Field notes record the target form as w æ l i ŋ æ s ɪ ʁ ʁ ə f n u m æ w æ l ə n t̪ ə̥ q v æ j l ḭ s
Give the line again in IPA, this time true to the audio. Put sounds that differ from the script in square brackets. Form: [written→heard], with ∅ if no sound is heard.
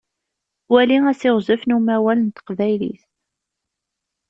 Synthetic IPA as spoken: w æ l i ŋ æ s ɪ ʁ [ʁ→z] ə f n u m æ w æ l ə n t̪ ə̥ q v æ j l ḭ [s→θ]